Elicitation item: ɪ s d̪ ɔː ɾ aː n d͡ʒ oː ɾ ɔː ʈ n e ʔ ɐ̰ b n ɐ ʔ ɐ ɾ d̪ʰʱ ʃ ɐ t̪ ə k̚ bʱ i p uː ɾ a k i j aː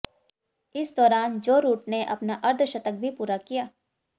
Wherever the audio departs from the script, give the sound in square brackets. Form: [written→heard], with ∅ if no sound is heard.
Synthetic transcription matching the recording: ɪ s d̪ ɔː ɾ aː n d͡ʒ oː ɾ [ɔː→uː] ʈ n e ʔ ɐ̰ [b→p] n [ɐ→a] ʔ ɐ ɾ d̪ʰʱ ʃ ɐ t̪ ə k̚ bʱ i p uː ɾ a k i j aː